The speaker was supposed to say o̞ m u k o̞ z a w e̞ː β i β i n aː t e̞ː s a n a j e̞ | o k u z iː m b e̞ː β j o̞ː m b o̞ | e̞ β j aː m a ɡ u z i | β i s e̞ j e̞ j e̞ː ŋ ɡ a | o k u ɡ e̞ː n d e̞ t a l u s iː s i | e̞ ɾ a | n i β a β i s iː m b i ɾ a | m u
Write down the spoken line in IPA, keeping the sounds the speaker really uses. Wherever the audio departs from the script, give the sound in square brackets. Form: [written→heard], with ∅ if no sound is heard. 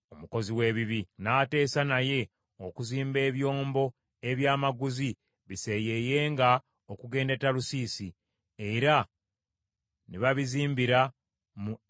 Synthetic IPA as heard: o̞ m u k o̞ z [a→i] w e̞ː β i β i n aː t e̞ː s a n a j e̞ | o k u z iː m b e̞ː β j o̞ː m b o̞ | e̞ β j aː m a ɡ u z i | β i s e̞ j e̞ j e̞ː ŋ ɡ a | o k u ɡ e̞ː n d e̞ t a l u s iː s i | e̞ ɾ a | n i β a β i [s→z] iː m b i ɾ a | m u

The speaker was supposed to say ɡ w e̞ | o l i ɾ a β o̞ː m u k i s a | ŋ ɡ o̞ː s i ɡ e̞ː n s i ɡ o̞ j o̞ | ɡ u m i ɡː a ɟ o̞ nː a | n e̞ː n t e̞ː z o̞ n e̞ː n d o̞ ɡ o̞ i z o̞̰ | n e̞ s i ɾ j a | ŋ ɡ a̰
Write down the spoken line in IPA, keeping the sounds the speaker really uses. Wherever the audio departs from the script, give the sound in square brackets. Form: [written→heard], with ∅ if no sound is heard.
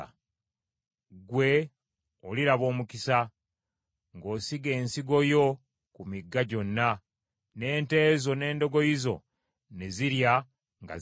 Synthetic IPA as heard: ɡ w e̞ | o l i ɾ a β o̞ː m u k i s a | ŋ ɡ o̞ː s i ɡ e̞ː n s i ɡ o̞ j o̞ | [ɡ→k] u m i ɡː a ɟ o̞ nː a | n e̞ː n t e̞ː z o̞ n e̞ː n d o̞ ɡ o̞ i z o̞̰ | n e̞ [s→z] i ɾ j a | ŋ ɡ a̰

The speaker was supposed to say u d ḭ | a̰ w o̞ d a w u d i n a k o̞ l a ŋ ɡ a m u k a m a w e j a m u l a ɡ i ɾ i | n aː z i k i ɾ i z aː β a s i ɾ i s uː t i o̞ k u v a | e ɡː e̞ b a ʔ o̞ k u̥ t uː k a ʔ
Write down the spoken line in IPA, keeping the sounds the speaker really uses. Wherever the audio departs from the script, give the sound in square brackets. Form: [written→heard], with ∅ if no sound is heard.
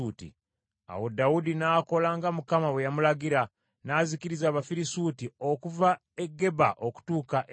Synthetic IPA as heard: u [d→t] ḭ | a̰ w o̞ d a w u d i n a k o̞ l a ŋ ɡ a m u k a m a w e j a m u l a ɡ i ɾ [i→a] | n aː z i k i ɾ i z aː β a [s→f] i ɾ i s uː t i o̞ k u v a | e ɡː e̞ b a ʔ o̞ k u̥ t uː k a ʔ

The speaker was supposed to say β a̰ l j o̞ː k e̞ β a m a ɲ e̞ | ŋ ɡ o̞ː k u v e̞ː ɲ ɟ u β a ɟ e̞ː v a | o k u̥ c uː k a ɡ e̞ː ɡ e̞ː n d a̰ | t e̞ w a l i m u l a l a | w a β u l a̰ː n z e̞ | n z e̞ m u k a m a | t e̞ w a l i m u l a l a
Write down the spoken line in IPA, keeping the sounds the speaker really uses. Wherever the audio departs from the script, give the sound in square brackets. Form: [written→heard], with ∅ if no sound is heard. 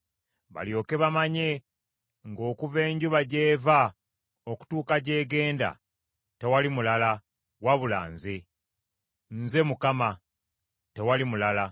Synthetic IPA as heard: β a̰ l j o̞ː k e̞ β a m a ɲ e̞ | ŋ ɡ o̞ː k u v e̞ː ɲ ɟ u β a ɟ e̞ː v a | o k u̥ [c→t] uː k a [ɡ→ɟ] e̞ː ɡ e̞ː n d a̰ | t e̞ w a l i m u l a l a | w a β u l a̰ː n z e̞ | n z e̞ m u k a m a | t e̞ w a l i m u l a l a

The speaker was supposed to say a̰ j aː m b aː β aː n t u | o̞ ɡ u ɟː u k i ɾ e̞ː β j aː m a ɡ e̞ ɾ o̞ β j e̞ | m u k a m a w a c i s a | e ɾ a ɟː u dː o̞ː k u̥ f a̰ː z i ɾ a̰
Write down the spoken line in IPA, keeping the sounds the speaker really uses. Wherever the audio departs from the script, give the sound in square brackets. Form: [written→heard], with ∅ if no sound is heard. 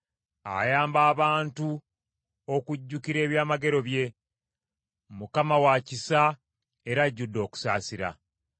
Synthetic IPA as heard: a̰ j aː m b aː β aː n t u | o̞ [ɡ→k] u ɟː u k i ɾ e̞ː β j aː m a ɡ e̞ ɾ o̞ β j e̞ | m u k a m a w a c i s a | e ɾ a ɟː u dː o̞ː k u̥ [f→s] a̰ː [z→s] i ɾ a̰

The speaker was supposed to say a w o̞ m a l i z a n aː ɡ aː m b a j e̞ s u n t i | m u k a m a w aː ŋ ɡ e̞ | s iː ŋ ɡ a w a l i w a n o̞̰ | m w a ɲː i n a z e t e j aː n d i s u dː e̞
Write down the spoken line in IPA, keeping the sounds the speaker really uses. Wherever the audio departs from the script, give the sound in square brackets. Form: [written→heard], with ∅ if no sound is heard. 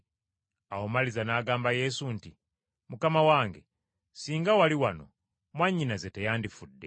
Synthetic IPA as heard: a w o̞ m a l i z a n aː ɡ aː m b a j e̞ s u n t i | m u k a m a w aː ŋ ɡ e̞ | s iː ŋ ɡ a w a l i w a n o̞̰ | m w a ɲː i n a z e t e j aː n d i [s→f] u dː e̞

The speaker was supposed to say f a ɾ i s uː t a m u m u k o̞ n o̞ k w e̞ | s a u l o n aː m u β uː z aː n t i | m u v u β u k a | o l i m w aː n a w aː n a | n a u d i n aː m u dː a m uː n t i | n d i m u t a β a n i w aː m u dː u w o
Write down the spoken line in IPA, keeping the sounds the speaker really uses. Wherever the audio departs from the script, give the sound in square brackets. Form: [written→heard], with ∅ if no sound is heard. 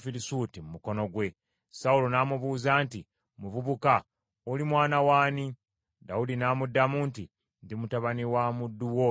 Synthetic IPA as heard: f [a→i] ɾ i s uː t [a→i] m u m u k o̞ n o̞ [k→ɡ] w e̞ | s a u l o n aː m u β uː z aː n t i | m u v u β u k a | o l i m w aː n a w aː n [a→i] | [n→d] a u d i n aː m u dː a m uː n t i | n d i m u t a β a n i w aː m u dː u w o

